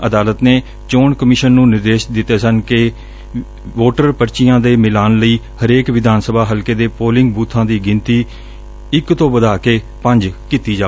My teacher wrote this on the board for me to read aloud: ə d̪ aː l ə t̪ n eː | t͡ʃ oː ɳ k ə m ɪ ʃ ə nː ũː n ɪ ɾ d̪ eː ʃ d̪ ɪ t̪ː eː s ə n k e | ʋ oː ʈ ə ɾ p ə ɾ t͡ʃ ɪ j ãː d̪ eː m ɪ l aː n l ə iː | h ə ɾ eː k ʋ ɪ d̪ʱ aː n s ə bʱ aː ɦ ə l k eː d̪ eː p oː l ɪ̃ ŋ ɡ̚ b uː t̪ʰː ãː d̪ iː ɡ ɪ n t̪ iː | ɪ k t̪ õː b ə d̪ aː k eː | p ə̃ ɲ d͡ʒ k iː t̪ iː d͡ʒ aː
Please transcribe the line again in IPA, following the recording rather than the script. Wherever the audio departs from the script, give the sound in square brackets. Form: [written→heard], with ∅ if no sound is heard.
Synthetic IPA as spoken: ə d̪ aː l ə t̪ n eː | t͡ʃ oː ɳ k ə m ɪ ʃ ə nː ũː n ɪ ɾ d̪ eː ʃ d̪ ɪ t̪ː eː s ə n k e | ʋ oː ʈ ə ɾ p ə ɾ t͡ʃ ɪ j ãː d̪ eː m ɪ l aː n l ə iː | h ə ɾ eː k ʋ ɪ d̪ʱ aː n s ə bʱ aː ɦ ə l k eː d̪ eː p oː l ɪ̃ ŋ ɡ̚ b uː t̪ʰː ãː d̪ iː ɡ ɪ n t̪ iː | ɪ k t̪ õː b ə d̪ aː k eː | p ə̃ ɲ d͡ʒ k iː t̪ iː d͡ʒ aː